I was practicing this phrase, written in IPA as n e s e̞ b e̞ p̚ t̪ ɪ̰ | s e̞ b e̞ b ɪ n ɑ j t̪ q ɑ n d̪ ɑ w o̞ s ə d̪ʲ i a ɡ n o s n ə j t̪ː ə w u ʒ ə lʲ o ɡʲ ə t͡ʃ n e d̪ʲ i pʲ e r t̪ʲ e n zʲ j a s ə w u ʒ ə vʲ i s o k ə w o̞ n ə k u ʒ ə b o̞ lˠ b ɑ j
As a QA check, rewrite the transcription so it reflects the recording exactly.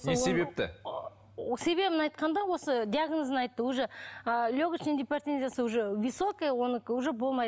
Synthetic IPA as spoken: n e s e̞ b e̞ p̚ t̪ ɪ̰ | s e̞ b e̞ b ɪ n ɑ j t̪ q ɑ n d̪ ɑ w o̞ s ə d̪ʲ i a ɡ n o z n ɑ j t̪ː ə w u ʒ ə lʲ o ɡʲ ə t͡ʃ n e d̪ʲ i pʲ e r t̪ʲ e n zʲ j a s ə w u ʒ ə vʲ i s o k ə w o̞ n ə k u ʒ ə b o̞ lˠ m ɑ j